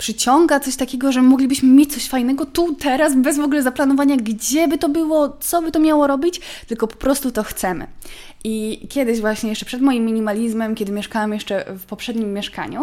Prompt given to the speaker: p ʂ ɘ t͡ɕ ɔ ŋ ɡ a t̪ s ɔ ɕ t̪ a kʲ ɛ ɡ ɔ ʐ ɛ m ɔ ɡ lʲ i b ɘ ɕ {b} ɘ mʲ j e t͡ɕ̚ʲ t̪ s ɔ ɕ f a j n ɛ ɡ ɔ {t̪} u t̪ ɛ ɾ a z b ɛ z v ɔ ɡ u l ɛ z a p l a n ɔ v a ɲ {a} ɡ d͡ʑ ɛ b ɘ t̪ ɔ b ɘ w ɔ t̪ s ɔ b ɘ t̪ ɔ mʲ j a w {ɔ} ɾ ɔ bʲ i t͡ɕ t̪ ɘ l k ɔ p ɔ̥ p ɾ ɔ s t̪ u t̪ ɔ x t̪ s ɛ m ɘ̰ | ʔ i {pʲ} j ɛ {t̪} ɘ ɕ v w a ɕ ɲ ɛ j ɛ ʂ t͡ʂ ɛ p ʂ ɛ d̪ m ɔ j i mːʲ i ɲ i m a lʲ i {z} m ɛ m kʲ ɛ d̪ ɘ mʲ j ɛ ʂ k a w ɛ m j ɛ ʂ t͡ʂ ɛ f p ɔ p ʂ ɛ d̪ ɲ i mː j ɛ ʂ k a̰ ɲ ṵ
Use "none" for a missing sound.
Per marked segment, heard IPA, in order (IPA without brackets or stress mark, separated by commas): m, t̪, a, ɔ, kʲ, d̪, z